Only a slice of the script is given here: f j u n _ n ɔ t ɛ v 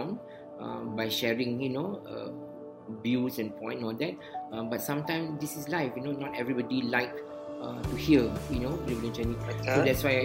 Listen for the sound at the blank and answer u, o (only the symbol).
o